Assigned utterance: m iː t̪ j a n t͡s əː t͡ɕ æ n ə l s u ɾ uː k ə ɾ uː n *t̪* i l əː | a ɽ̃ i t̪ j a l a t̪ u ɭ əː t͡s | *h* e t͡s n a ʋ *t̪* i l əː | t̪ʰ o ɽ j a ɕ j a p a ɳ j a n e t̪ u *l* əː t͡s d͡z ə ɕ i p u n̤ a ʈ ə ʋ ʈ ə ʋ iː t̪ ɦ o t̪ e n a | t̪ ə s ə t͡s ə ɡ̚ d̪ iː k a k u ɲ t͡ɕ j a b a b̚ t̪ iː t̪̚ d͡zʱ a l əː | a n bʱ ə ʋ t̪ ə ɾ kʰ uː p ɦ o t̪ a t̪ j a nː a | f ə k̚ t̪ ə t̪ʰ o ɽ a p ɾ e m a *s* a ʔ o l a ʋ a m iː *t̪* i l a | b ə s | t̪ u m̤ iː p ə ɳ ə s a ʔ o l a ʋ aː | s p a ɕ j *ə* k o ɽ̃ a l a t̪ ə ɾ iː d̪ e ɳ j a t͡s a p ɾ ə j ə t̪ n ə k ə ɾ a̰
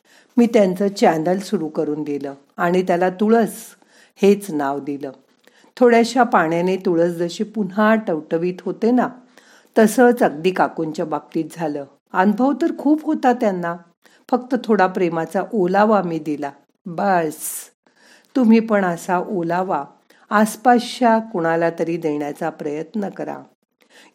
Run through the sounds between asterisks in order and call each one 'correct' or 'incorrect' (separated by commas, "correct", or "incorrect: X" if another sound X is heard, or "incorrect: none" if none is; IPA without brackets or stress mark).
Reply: incorrect: d̪, correct, incorrect: d̪, incorrect: ɭ, incorrect: t͡s, incorrect: d̪, incorrect: a